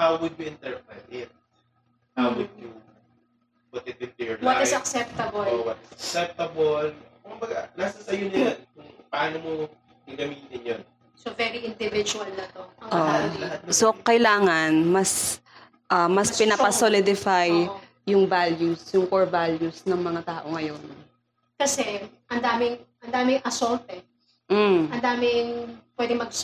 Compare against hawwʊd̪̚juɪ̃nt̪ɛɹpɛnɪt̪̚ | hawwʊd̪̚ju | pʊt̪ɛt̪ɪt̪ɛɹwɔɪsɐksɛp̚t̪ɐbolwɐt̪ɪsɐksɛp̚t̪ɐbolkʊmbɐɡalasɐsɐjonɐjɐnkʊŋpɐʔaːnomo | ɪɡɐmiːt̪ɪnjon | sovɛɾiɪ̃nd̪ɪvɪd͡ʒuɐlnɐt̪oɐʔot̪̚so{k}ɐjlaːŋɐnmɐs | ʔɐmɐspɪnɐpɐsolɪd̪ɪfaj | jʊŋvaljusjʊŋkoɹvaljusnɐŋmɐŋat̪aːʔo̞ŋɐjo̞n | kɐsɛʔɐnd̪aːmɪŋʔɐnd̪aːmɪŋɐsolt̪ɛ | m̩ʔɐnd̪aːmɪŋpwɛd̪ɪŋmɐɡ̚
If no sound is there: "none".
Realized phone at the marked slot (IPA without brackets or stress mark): k